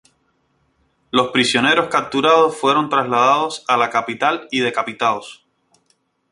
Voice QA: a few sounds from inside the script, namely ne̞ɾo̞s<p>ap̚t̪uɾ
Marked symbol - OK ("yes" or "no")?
no